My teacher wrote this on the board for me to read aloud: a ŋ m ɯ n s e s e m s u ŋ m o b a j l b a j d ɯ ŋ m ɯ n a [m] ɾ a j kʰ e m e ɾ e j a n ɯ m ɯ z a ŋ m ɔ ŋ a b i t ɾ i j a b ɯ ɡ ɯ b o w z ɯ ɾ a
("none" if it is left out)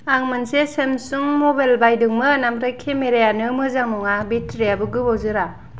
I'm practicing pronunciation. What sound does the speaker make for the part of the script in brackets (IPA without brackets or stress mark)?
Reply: m